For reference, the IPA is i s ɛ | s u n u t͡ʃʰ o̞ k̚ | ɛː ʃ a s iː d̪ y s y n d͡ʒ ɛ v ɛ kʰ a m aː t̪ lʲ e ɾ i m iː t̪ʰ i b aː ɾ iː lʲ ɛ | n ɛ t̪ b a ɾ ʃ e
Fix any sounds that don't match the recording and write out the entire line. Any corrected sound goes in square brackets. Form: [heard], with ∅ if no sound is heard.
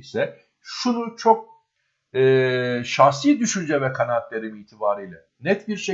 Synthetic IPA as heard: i s ɛ | [ʃ] u n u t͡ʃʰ o̞ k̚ | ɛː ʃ a s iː d̪ y [ʃ] y n d͡ʒ ɛ v ɛ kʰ a [n] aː t̪ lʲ e ɾ i m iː t̪ʰ i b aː ɾ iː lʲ ɛ | n ɛ t̪ b [i] ɾ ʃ e